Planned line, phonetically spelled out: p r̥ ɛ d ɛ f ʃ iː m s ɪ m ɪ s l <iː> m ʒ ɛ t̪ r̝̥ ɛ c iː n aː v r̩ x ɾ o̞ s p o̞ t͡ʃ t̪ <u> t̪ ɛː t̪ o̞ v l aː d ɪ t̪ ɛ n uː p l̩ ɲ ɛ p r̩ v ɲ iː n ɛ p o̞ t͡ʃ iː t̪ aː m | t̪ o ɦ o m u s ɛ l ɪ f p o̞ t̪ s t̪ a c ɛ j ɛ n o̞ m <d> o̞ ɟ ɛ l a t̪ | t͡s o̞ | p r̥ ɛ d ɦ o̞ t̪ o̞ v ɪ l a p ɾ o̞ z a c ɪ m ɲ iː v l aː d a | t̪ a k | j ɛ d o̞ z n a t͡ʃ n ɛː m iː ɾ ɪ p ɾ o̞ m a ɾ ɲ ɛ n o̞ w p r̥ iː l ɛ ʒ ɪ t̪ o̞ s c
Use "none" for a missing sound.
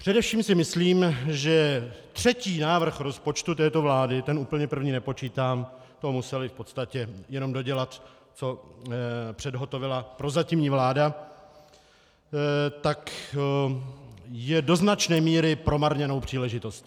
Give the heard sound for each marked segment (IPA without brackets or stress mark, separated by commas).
iː, u, d